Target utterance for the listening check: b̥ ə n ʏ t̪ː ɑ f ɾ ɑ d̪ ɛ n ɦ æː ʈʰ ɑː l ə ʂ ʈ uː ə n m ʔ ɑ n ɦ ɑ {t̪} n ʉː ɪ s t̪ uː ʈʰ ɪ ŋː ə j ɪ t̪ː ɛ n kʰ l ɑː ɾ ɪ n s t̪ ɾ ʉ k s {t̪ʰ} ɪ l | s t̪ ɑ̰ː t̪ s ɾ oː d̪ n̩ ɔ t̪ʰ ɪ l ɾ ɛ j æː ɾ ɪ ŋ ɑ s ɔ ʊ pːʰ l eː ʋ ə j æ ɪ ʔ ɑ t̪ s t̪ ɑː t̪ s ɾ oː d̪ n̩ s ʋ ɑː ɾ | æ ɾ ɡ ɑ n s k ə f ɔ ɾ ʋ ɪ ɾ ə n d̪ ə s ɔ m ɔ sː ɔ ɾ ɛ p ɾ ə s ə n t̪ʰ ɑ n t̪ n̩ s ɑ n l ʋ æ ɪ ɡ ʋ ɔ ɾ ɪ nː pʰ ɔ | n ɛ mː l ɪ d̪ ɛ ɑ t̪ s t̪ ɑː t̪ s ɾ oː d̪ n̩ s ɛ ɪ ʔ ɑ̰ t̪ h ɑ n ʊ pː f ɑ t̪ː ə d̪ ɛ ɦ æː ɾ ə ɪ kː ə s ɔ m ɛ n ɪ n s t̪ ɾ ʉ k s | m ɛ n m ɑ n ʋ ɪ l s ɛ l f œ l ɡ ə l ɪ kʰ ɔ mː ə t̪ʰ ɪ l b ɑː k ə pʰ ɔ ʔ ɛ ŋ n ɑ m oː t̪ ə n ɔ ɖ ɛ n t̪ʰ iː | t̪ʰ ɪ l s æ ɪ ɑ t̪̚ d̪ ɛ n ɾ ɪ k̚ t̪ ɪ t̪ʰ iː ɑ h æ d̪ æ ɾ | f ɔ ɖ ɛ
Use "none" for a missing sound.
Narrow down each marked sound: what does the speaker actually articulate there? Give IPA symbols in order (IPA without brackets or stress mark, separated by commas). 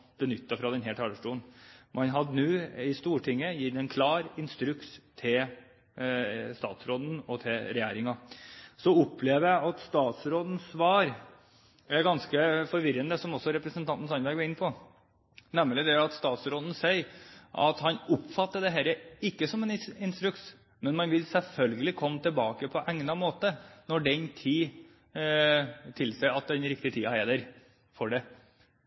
d̪, t̪ʰ